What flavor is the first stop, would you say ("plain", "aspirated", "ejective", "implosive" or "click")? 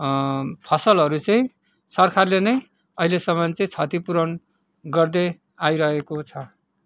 aspirated